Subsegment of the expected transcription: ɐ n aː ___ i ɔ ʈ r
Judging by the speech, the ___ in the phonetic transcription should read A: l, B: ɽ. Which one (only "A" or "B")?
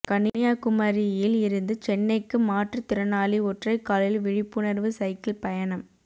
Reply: A